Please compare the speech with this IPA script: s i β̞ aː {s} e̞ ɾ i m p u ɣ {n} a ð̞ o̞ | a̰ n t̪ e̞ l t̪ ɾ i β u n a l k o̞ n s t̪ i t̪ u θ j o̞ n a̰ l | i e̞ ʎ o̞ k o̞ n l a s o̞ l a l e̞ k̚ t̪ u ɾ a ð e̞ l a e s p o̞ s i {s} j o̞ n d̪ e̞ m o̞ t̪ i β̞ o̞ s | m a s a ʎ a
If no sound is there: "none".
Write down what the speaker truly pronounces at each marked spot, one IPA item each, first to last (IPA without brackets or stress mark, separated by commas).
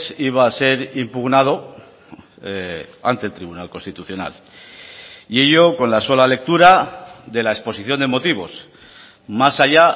s, n, θ